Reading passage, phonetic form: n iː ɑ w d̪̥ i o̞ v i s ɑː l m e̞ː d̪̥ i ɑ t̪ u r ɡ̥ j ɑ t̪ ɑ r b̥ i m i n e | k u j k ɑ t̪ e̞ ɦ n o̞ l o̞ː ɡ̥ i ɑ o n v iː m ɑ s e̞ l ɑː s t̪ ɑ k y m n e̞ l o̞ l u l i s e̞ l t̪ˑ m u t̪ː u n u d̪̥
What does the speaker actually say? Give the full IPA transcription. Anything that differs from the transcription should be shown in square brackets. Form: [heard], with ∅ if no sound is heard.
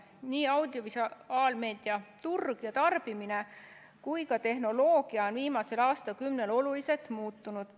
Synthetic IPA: n iː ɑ w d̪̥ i o̞ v i s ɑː l m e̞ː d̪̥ i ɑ t̪ u r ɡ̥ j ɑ t̪ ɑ r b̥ i m i n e | k u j k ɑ t̪ e̞ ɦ n o̞ l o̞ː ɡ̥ i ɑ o n v iː m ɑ s e̞ l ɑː s t̪ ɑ k y m n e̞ l o̞ l u l i s e̞ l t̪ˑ m [uː] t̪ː u n u d̪̥